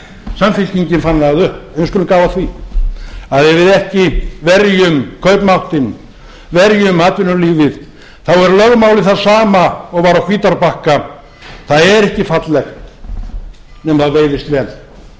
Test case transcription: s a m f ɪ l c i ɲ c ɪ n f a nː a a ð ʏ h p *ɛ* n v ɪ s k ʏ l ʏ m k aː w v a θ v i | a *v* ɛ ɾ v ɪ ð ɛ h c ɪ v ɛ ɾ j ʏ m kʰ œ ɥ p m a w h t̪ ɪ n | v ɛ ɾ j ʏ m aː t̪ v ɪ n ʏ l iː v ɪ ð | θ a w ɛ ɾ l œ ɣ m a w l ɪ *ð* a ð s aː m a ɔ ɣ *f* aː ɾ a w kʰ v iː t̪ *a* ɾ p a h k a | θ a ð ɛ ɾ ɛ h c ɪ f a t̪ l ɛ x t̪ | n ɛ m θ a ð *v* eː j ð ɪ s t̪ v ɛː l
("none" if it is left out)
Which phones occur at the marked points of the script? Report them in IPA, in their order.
ɛ, ð, θ, v, a, v

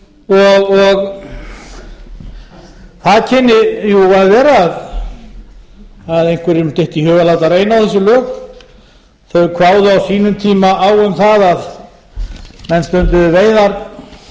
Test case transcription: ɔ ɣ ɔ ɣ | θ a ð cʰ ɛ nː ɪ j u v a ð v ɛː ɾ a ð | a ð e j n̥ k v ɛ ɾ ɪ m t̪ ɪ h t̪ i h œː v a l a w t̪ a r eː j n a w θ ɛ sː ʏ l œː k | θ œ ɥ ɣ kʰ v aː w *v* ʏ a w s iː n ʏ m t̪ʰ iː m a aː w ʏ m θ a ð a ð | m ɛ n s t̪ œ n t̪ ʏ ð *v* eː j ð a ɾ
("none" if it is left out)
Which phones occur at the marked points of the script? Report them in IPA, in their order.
ð, v

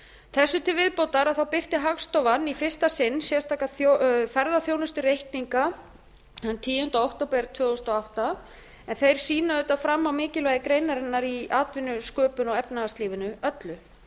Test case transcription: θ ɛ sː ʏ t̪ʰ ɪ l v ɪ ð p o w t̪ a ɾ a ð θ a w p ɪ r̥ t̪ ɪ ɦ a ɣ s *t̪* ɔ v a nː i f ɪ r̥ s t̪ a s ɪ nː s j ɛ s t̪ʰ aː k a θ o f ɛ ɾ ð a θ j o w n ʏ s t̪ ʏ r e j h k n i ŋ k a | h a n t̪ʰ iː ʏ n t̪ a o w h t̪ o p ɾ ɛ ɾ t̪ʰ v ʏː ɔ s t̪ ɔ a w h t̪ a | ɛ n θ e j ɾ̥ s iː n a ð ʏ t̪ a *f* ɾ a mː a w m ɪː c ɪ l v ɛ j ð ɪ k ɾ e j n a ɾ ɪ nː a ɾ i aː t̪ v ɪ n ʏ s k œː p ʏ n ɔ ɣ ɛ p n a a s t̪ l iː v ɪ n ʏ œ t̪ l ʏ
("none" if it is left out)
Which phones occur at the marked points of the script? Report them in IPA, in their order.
t̪, f

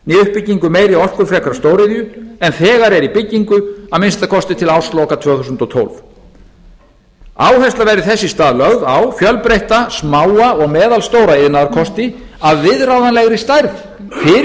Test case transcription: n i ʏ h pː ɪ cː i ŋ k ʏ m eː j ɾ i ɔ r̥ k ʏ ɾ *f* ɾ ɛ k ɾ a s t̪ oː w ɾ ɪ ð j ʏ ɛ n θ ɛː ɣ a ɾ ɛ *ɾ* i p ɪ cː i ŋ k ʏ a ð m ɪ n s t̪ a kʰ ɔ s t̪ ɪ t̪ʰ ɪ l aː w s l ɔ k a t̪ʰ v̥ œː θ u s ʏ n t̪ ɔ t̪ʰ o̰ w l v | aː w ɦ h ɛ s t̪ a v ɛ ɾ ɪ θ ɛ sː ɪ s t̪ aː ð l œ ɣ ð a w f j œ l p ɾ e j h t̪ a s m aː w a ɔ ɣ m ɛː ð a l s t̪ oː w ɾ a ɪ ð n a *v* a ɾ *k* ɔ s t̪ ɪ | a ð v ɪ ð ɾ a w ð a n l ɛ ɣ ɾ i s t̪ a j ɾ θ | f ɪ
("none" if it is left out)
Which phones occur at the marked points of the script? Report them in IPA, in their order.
f, ɾ, ð, kʰ

